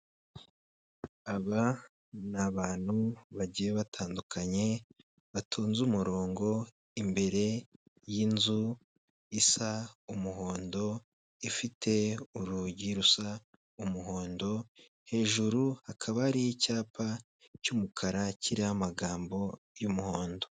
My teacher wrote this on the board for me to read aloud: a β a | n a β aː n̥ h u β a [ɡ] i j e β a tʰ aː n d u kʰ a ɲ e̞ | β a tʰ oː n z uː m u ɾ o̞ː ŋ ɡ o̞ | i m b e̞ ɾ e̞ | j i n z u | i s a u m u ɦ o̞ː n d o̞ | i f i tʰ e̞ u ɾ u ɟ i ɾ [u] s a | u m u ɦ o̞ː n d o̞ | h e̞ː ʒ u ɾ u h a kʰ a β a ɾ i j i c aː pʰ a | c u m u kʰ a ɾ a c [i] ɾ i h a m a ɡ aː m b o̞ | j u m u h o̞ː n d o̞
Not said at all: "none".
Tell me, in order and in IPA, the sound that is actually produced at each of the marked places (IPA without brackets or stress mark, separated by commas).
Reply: ɟ, u, i